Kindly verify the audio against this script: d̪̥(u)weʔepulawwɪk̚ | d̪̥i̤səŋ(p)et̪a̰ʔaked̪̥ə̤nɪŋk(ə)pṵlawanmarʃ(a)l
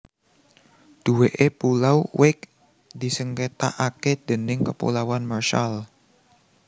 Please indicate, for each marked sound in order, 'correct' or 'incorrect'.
correct, incorrect, correct, correct

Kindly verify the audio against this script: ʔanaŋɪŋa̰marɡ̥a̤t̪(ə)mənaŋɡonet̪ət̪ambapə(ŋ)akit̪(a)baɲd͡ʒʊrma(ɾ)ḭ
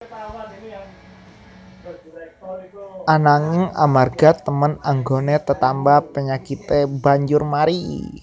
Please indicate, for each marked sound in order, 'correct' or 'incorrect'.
correct, incorrect, incorrect, correct

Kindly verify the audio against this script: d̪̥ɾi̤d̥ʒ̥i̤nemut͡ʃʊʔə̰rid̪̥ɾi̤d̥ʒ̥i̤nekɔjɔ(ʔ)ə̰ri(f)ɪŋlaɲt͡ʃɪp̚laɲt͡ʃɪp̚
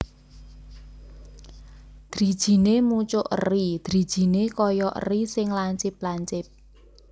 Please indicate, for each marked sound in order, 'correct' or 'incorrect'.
correct, incorrect

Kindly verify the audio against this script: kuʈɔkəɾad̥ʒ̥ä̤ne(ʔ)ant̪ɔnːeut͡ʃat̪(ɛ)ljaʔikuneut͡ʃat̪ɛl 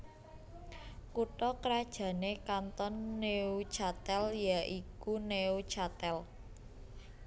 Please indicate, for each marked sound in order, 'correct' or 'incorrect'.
incorrect, correct

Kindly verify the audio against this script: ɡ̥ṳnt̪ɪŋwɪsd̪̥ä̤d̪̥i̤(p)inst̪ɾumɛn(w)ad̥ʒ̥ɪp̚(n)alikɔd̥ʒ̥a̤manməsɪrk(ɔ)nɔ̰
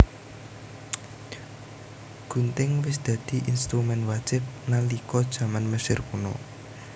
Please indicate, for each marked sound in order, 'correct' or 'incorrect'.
incorrect, correct, correct, incorrect

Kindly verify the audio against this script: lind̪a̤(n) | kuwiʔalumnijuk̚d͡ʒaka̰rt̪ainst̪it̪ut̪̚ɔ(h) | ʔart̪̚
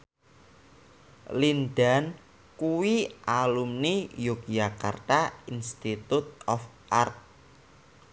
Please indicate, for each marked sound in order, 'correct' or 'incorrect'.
correct, incorrect

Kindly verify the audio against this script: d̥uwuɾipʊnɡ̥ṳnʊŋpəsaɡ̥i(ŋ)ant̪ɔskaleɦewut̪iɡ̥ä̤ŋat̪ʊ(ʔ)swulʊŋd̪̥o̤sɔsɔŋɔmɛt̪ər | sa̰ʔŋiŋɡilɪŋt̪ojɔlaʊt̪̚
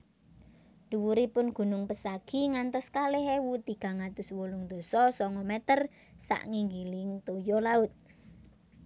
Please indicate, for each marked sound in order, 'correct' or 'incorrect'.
correct, incorrect

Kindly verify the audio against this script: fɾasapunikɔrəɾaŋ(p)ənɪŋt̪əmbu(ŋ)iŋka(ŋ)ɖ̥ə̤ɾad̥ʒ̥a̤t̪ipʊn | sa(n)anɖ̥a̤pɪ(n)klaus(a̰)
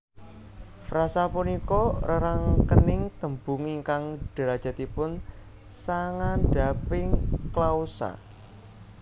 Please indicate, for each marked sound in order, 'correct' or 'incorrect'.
incorrect, correct, correct, incorrect, incorrect, correct

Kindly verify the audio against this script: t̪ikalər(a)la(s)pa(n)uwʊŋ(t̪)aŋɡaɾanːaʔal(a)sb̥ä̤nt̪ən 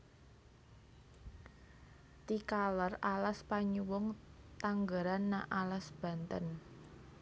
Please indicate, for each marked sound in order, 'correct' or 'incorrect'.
correct, correct, incorrect, correct, correct

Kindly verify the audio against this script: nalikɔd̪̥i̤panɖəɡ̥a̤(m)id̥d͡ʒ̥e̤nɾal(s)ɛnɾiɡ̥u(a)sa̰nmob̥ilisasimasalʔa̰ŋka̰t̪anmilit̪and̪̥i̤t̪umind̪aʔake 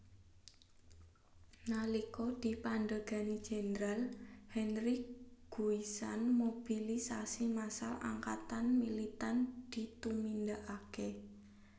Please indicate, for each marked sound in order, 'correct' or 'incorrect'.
incorrect, incorrect, incorrect

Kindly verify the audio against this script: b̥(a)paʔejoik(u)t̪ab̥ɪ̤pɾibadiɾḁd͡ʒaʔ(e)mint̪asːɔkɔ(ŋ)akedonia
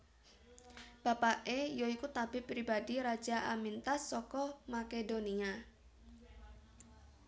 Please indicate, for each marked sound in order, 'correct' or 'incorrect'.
correct, correct, incorrect, incorrect

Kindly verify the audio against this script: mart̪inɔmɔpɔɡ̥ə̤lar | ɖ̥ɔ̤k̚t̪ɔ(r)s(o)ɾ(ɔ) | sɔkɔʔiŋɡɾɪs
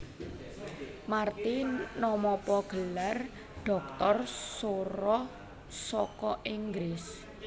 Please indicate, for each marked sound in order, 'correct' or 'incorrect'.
correct, correct, correct

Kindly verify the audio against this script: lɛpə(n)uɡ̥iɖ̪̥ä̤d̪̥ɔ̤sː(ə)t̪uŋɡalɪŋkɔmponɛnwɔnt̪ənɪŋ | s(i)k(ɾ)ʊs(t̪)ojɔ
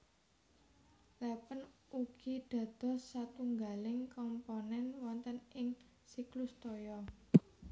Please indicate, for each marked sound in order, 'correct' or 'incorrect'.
correct, incorrect, correct, incorrect, correct

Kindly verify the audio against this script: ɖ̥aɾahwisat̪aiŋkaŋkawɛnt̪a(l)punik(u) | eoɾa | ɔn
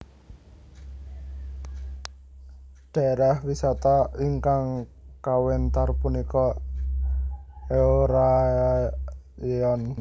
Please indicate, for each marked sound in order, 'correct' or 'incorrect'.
incorrect, incorrect

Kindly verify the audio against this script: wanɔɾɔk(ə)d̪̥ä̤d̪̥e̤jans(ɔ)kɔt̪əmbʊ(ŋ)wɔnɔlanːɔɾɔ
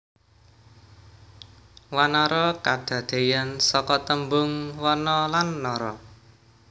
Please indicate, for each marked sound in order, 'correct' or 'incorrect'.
incorrect, correct, correct

